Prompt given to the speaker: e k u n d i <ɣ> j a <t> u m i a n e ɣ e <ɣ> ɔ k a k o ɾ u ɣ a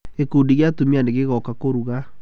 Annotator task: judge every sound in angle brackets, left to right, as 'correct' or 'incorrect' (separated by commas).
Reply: correct, correct, correct